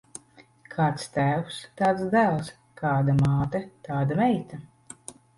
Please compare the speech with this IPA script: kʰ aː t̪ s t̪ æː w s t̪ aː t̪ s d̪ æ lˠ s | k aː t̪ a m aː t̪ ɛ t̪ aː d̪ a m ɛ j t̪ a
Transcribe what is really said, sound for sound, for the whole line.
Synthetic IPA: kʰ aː t̪ s t̪ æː w s t̪ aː t̪ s d̪ æ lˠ s | k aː d̪ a m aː t̪ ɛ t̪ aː d̪ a m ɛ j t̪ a